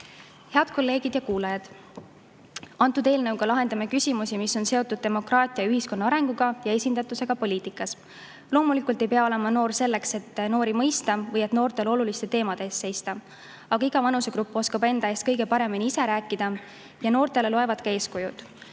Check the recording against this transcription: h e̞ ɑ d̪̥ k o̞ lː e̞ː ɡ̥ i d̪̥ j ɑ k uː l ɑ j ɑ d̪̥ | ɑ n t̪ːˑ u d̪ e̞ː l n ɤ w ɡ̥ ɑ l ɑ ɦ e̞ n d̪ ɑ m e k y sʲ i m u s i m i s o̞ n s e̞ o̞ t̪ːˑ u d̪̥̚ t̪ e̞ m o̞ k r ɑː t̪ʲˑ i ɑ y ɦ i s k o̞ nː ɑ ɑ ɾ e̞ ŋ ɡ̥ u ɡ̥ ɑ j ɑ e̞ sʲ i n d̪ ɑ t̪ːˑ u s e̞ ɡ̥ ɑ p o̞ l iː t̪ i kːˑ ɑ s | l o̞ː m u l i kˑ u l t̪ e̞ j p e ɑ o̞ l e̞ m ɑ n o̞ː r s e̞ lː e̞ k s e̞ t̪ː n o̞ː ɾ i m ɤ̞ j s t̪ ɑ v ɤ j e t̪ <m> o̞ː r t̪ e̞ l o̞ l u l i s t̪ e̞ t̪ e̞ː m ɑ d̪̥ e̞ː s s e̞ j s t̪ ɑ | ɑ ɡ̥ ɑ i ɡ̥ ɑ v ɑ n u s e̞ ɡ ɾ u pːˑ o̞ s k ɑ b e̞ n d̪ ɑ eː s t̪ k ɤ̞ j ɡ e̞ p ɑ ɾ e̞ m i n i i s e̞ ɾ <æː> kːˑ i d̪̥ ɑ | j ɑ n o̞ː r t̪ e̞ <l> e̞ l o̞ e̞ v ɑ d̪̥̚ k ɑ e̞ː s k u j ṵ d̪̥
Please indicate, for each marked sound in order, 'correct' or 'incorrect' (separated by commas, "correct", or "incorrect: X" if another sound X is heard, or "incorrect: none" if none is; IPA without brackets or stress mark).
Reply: incorrect: n, correct, correct